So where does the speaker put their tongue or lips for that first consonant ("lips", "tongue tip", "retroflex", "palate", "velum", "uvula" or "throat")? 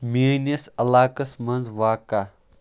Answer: lips